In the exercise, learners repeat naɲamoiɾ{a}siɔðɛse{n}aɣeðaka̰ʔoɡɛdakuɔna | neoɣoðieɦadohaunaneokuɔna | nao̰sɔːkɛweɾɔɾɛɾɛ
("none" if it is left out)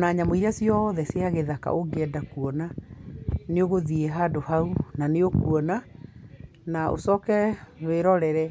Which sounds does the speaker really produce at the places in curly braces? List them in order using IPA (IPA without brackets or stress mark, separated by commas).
a, none